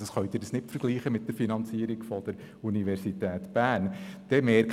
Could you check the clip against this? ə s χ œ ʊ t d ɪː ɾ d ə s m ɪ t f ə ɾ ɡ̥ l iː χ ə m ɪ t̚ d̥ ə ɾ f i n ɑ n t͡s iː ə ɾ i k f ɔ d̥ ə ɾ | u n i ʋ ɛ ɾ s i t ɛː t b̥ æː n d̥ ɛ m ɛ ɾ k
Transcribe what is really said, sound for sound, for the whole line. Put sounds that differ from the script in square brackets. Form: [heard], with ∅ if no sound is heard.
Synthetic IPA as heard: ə s χ œ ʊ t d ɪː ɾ d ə s [n] ɪ t f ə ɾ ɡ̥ l iː χ ə m ɪ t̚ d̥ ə ɾ f i n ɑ n t͡s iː ə ɾ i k f ɔ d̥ ə ɾ | u n i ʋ ɛ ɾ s i t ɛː t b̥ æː n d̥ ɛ m ɛ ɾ k